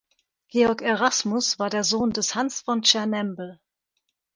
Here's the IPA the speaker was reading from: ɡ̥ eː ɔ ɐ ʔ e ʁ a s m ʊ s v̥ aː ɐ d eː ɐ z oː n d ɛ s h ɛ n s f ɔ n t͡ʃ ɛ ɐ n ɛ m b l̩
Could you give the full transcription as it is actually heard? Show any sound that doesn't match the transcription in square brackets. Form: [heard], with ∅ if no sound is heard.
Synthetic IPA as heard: ɡ̥ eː ɔ ɐ [k] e ʁ a s m ʊ s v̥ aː ɐ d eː ɐ z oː n d ɛ s h [a] n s f ɔ n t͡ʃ ɛ ɐ n ɛ m b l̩